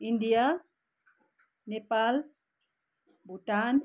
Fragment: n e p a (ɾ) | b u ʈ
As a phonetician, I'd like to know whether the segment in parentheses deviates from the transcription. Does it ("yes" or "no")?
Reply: yes